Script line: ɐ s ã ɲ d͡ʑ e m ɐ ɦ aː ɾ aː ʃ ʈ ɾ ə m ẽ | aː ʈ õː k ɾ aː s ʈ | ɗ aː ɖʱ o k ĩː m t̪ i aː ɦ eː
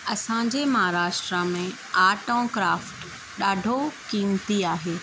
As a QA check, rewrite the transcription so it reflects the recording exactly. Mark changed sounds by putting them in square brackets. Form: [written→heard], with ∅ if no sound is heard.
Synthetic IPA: ɐ s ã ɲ d͡ʑ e m ɐ ɦ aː ɾ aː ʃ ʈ ɾ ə m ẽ | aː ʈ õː k ɾ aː [s→f] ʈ | ɗ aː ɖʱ o k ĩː m t̪ i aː ɦ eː